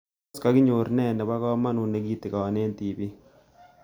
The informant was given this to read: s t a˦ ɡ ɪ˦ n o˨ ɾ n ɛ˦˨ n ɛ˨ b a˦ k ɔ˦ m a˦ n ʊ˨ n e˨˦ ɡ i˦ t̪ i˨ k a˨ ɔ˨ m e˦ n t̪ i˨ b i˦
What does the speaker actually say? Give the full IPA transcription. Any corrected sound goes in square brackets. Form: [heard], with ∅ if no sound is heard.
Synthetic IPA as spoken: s [k] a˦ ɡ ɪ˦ [ɲ] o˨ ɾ n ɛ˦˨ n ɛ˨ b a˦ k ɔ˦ m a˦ n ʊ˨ n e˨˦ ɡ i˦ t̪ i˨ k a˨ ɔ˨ [n] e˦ n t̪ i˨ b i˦